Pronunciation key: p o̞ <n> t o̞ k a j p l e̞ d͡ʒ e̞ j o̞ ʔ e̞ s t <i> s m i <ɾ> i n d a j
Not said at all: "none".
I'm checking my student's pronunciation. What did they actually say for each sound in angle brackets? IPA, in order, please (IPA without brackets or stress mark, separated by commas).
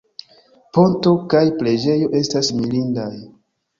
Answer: n, a, l